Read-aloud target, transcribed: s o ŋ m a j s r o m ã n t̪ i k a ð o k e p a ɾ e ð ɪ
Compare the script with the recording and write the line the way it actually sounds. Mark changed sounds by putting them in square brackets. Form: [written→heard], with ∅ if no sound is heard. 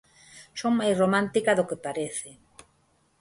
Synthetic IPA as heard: s o ŋ m a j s r o m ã n t̪ i k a ð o k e p a ɾ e [ð→θ] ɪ